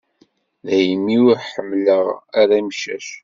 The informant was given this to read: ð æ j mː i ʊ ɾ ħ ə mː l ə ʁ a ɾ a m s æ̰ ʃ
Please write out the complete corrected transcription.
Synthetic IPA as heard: ð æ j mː i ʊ ɾ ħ ə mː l ə ʁ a ɾ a m ʃ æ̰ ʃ